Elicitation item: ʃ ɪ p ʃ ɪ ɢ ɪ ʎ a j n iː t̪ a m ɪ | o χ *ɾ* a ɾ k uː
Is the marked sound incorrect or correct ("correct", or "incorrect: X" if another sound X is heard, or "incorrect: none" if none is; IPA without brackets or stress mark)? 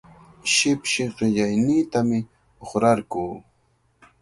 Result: correct